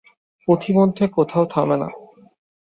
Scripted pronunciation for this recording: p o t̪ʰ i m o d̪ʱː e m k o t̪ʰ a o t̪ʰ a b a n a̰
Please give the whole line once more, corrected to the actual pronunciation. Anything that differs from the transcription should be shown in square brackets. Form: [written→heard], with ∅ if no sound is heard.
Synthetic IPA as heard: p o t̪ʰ i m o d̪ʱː e [m→∅] k o t̪ʰ a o t̪ʰ a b [a→e] n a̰